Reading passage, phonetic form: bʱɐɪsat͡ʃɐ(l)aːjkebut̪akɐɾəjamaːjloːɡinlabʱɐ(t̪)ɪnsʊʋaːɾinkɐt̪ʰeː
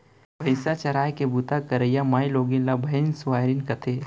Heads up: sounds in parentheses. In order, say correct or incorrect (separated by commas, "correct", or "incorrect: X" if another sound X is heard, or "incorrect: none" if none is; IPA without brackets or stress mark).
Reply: incorrect: ɾ, incorrect: none